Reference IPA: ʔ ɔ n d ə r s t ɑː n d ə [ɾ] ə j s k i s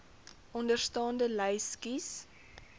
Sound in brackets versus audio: incorrect: l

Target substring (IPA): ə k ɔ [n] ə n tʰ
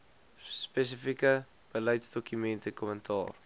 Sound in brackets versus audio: incorrect: m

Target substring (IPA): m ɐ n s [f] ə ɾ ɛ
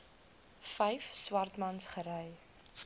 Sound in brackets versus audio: incorrect: χ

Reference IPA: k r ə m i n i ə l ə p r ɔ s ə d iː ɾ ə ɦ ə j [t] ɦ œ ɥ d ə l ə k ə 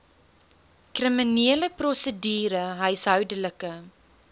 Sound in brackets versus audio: incorrect: s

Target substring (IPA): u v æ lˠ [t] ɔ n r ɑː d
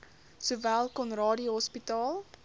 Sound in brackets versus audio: incorrect: k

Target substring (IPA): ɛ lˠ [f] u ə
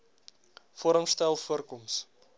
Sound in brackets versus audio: correct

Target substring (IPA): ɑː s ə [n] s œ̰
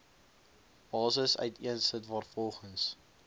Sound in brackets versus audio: incorrect: none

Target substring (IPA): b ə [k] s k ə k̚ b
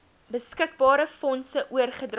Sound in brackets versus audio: incorrect: none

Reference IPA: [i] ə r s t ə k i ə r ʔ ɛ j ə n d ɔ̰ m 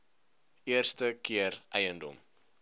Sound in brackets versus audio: correct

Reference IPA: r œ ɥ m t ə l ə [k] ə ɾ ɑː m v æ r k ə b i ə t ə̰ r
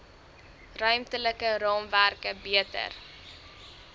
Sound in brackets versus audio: correct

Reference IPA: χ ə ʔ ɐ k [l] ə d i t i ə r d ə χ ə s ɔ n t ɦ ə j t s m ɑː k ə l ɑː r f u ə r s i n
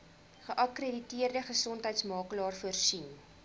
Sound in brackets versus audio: incorrect: r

